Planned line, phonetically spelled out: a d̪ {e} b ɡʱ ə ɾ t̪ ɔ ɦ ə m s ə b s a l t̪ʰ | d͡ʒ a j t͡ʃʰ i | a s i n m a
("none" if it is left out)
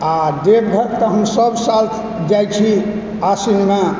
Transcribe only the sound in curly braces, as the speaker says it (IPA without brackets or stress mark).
e